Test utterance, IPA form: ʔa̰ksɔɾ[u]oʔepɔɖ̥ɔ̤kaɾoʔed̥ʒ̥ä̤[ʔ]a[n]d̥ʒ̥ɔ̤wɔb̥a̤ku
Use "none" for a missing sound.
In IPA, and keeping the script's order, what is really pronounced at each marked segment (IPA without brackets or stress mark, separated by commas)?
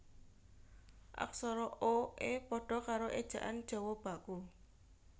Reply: ɔ, ʔ, n